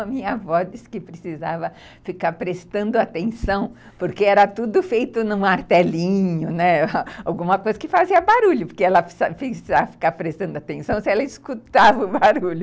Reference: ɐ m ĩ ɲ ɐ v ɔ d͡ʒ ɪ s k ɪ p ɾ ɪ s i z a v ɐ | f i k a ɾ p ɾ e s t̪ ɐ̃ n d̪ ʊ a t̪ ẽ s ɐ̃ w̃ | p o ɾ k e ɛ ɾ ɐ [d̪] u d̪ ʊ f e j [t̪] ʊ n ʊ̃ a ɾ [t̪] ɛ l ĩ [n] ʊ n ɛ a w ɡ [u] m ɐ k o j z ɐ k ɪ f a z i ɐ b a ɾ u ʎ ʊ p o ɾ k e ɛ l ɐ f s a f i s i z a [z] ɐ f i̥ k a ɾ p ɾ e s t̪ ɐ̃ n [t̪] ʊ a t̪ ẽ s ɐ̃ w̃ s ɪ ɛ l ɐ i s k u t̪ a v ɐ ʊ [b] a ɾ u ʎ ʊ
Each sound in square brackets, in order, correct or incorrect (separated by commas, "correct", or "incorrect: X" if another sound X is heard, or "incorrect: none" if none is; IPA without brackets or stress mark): incorrect: t̪, correct, correct, incorrect: ɲ, incorrect: ũ, incorrect: v, incorrect: d̪, correct